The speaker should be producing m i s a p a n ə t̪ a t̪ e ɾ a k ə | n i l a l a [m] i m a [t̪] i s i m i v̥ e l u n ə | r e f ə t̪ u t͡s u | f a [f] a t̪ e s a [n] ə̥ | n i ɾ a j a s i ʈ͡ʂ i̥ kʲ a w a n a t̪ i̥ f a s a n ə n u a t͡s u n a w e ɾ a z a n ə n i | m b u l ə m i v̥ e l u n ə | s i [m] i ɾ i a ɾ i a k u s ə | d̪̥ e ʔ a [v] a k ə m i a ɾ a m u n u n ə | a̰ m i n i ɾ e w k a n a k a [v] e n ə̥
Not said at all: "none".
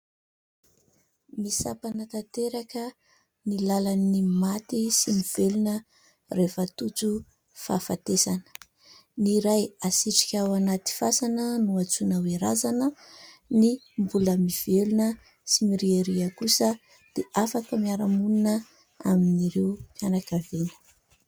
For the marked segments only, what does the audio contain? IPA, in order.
n, t̪, f, n, m, f, v

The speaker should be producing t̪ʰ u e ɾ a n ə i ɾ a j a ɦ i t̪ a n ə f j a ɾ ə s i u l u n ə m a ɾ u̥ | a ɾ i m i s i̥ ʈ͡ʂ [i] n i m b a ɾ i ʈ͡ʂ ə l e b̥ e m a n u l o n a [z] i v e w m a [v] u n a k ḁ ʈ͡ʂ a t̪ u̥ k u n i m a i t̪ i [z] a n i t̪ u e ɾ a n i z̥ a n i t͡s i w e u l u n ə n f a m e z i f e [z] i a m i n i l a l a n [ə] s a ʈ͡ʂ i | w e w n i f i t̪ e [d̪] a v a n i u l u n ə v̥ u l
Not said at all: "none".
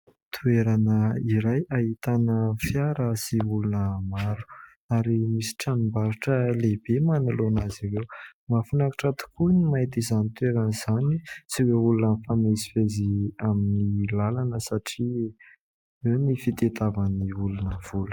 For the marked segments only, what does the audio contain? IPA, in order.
a, z, f, z, z, ə, t̪

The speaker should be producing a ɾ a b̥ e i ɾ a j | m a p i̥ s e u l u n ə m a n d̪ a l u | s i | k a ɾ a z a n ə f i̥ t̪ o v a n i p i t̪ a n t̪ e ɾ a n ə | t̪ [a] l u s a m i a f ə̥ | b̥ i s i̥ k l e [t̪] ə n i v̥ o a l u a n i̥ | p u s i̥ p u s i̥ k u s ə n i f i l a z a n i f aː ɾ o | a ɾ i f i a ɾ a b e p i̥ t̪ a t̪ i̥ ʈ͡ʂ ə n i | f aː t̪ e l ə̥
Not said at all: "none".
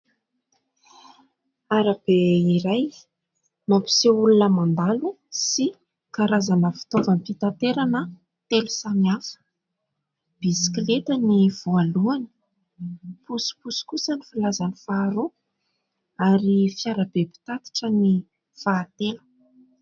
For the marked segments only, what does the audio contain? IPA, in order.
e, t̪

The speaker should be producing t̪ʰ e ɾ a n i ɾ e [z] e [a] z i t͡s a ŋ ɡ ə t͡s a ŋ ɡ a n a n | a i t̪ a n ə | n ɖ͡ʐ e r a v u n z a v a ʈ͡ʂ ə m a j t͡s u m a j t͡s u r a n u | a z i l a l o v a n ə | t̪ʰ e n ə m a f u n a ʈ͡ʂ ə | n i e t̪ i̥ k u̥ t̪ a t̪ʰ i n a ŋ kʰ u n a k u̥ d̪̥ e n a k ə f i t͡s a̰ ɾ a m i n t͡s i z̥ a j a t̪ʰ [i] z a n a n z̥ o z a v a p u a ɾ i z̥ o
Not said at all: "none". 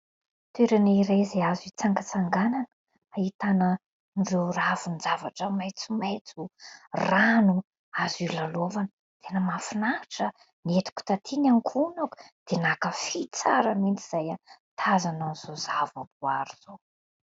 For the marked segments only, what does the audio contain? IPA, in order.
z, a, a

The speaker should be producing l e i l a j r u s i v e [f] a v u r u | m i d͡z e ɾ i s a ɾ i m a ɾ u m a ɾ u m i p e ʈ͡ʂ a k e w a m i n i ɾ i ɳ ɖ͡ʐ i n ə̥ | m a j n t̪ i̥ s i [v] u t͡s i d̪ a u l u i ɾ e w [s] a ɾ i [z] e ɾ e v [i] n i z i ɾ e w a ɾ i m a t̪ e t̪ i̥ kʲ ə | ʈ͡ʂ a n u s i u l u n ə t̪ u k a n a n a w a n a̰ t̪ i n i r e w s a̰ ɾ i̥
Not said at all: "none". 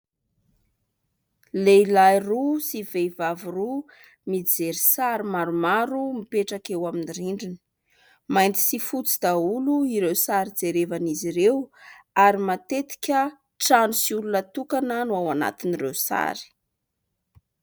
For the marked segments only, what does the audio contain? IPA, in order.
v, f, s, d͡z, a

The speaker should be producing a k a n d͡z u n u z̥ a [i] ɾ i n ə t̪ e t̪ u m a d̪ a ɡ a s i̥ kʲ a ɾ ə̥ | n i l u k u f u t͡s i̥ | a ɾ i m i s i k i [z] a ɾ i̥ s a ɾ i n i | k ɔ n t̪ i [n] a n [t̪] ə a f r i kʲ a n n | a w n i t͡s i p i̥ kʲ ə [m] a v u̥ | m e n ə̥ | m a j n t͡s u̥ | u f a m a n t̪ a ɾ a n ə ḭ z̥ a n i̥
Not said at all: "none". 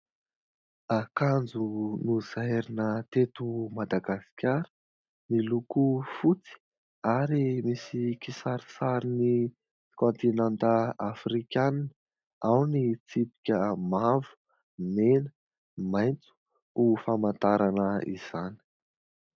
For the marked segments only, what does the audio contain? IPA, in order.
j, s, n, t̪, m

